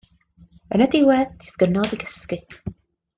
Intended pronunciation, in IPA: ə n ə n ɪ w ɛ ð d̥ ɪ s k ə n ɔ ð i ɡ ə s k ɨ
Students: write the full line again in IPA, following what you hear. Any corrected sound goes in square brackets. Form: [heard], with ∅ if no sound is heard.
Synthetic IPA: ə n ə [d] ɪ w ɛ ð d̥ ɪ s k ə n ɔ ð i ɡ ə s k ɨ